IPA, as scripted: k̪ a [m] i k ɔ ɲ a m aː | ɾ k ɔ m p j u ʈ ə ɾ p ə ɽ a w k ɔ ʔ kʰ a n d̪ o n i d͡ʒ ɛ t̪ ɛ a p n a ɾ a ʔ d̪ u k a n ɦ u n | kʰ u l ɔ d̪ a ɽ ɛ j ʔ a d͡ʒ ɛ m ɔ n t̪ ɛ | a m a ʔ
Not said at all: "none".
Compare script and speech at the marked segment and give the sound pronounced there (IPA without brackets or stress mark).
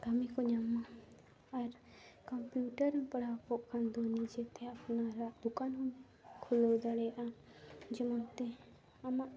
m